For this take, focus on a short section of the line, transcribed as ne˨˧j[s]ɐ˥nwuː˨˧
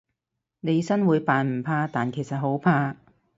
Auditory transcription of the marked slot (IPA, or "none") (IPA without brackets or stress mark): s